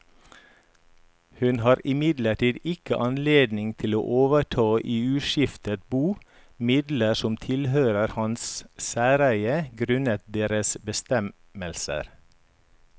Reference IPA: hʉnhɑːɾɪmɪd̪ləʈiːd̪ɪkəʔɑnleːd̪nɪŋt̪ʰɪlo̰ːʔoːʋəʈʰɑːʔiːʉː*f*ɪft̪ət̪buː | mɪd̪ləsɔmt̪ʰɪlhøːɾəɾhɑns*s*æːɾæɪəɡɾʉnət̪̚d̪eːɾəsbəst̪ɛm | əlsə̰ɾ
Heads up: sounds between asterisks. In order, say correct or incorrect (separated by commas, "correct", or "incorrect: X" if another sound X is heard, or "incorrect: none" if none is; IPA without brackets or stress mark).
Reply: incorrect: ʃ, correct